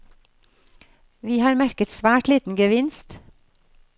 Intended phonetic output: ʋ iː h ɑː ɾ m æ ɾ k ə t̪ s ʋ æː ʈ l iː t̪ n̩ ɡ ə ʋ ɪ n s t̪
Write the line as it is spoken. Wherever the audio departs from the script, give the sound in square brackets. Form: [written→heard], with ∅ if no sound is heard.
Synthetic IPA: ʋ iː h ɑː ɾ m æ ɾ k ə t̪ s ʋ æː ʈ l iː t̪ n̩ ɡ ə ʋ ɪ n s t̪